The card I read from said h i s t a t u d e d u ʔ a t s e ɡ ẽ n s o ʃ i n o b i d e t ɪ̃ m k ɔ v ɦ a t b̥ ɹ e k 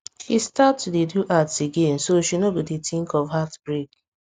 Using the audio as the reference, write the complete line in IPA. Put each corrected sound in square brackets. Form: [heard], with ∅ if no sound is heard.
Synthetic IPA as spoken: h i s t a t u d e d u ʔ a t s e ɡ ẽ n s o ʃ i n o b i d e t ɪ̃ [ŋ] k ɔ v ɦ a t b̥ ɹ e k